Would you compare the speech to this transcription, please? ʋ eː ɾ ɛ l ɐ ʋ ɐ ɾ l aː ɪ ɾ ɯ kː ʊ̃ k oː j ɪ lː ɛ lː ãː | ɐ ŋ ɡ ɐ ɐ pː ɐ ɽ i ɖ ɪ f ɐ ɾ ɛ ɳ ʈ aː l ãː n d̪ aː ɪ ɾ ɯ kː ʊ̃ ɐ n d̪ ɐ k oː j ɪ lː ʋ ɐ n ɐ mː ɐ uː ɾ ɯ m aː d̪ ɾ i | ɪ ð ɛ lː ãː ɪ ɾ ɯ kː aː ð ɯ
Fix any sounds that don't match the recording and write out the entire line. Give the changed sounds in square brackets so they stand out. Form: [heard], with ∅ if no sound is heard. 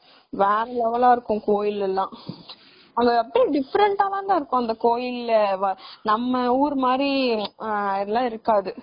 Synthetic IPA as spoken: ʋ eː ɾ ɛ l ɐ ʋ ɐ [∅] l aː ɪ ɾ ɯ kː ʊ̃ k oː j ɪ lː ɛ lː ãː | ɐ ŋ ɡ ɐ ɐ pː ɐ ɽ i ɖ ɪ f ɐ ɾ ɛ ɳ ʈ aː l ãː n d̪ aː ɪ ɾ ɯ kː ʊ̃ ɐ n d̪ ɐ k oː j ɪ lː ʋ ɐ n ɐ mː ɐ uː ɾ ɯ m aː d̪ ɾ i | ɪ ð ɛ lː ãː ɪ ɾ ɯ kː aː ð ɯ